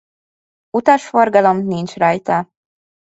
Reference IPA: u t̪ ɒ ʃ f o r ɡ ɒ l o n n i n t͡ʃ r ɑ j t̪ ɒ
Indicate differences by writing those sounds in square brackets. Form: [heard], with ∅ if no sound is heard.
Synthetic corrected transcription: u t̪ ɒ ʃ f o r ɡ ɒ l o [m] n i n t͡ʃ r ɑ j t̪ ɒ